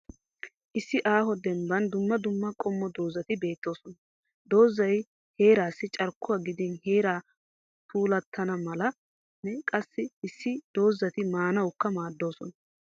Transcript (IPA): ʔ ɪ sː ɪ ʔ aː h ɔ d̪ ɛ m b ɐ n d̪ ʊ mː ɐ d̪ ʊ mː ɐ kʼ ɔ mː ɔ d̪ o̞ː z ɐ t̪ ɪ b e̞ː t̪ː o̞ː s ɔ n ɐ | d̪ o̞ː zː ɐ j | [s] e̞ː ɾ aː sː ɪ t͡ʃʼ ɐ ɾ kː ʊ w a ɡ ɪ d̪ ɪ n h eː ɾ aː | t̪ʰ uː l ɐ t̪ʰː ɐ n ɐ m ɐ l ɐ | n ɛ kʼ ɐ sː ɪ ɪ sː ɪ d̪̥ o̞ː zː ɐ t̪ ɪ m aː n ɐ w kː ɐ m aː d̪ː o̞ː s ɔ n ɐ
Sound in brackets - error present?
yes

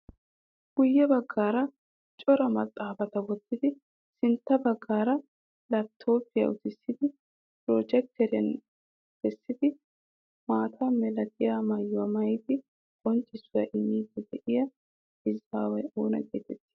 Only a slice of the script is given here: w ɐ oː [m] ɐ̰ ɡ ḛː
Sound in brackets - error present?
yes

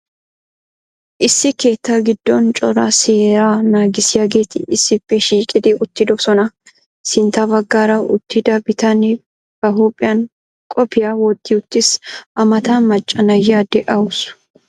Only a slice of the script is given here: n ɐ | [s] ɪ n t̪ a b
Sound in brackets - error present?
no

